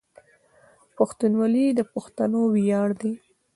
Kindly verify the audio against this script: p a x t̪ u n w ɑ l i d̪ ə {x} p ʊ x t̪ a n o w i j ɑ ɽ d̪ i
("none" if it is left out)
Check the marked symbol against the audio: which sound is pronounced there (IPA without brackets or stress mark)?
none